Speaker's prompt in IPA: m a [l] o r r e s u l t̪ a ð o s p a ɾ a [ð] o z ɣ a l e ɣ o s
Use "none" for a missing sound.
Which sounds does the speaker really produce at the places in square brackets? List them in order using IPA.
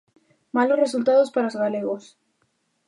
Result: l, none

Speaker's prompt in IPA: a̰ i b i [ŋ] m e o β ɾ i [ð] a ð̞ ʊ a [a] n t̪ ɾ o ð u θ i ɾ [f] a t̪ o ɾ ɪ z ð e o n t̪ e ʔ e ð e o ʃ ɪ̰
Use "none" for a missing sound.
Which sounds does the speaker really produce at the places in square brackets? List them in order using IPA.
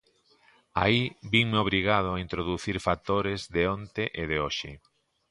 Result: ŋ, ɣ, i, f

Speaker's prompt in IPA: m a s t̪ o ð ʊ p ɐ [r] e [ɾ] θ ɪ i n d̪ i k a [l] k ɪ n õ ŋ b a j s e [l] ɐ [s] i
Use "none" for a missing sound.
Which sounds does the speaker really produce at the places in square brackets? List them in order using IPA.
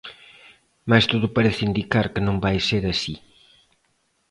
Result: ɾ, none, ɾ, ɾ, s

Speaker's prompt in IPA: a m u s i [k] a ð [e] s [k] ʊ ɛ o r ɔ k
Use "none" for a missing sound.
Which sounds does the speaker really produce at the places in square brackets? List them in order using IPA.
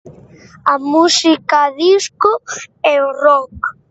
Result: k, i, k

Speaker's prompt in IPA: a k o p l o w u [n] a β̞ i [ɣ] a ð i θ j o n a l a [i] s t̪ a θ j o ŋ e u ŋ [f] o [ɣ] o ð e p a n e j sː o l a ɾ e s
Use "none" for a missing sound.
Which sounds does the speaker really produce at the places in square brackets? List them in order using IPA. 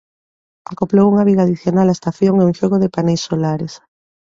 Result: ŋ, ɣ, e, ʃ, ɣ

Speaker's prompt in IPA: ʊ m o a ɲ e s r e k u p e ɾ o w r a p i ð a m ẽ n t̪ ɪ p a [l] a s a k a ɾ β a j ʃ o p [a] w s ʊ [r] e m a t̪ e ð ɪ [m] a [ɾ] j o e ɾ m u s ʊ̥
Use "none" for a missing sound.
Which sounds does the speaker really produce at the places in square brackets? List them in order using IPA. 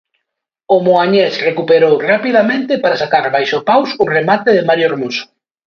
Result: ɾ, a, r, m, ɾ

